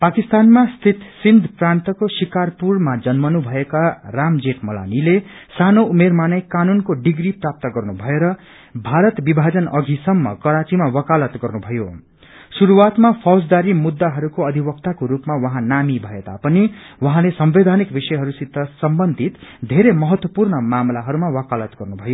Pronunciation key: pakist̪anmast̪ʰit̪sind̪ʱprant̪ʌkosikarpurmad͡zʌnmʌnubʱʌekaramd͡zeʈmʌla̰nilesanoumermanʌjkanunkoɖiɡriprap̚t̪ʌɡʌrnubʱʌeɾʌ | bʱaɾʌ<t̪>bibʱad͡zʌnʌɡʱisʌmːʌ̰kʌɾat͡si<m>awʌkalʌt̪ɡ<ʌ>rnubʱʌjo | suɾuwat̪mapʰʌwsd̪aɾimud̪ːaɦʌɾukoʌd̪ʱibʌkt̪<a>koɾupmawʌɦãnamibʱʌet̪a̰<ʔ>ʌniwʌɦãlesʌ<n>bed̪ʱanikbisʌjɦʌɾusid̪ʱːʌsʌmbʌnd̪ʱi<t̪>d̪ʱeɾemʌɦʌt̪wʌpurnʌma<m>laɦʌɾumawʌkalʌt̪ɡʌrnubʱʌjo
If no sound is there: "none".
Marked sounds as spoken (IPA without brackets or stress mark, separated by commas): t̪, m, ʌ, a, p, m, t̪, m